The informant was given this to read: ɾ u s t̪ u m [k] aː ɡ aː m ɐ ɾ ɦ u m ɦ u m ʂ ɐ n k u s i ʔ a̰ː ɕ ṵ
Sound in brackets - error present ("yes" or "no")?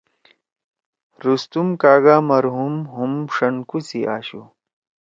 no